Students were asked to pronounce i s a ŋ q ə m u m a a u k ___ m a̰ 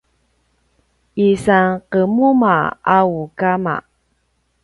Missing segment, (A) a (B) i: A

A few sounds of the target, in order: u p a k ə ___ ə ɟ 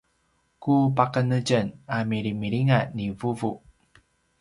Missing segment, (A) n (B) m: A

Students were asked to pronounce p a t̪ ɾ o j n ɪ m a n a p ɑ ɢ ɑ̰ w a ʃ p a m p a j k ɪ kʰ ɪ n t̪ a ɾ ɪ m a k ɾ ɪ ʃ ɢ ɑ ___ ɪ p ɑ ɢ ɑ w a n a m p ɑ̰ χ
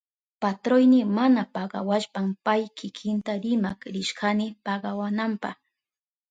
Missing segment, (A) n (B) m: A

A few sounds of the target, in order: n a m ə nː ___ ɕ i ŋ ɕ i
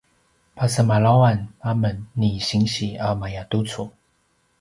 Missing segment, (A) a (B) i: B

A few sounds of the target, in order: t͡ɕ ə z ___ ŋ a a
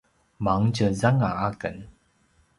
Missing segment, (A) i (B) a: B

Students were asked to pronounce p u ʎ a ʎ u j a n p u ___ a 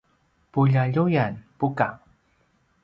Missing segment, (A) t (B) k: B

